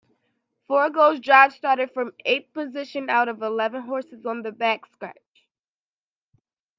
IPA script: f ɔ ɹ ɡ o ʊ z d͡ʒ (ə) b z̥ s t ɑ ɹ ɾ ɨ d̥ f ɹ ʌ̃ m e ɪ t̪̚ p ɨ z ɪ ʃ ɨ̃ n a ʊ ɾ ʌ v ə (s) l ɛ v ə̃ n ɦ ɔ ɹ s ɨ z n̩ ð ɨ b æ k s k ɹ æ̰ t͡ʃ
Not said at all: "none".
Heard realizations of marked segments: ɑ, none

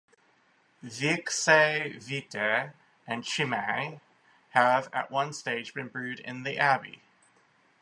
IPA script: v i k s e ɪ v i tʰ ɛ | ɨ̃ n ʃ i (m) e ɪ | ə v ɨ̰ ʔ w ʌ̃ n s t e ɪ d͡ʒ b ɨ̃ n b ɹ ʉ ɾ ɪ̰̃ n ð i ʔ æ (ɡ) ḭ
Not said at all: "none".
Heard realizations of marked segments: m, b

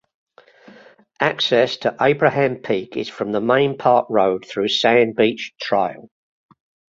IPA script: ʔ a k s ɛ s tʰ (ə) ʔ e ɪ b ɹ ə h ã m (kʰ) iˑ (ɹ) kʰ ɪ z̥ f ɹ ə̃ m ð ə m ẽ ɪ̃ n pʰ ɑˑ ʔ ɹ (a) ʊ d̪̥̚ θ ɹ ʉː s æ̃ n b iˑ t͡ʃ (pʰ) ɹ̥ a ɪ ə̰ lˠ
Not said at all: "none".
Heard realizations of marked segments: ə, pʰ, none, ə, tʰ

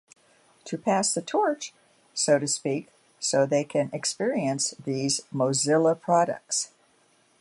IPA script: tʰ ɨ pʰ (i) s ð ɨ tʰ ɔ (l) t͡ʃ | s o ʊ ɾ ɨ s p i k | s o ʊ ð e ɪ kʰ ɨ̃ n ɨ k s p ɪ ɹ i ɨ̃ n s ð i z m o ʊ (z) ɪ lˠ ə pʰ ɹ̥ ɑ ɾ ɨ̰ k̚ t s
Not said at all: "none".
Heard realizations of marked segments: æ, ɹ, z

